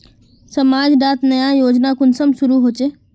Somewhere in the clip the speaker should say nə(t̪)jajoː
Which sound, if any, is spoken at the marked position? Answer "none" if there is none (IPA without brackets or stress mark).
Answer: none